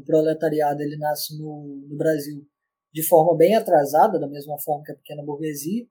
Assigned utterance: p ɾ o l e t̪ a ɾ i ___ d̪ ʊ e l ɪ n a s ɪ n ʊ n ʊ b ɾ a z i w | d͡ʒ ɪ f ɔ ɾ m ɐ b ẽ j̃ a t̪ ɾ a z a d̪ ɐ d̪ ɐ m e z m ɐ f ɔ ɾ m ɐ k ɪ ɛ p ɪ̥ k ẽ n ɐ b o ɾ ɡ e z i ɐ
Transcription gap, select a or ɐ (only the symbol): a